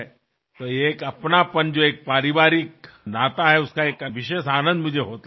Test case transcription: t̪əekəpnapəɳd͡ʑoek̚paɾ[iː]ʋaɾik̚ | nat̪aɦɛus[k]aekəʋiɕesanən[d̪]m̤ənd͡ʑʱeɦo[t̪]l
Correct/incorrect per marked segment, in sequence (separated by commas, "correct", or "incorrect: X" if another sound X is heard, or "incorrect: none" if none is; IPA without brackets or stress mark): incorrect: i, correct, correct, correct